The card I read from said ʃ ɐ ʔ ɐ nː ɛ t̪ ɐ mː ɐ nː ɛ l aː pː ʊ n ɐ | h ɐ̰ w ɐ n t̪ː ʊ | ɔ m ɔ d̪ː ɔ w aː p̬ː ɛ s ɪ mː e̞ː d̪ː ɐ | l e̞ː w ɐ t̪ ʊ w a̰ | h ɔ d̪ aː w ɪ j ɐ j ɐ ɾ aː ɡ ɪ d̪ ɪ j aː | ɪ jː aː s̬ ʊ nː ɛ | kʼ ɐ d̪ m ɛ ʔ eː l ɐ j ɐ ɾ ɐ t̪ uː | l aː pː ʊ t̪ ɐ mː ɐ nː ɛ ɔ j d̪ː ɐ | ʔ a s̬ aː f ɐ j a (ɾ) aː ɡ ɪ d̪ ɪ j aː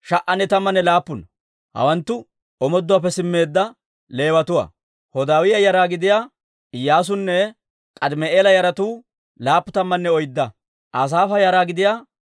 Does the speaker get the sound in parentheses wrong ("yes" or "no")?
no